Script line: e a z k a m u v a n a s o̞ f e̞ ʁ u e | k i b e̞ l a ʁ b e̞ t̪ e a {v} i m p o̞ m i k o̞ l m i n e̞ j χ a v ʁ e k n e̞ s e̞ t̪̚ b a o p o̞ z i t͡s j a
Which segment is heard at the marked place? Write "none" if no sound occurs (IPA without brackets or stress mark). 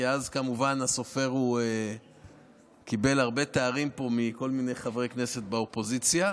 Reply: ʁ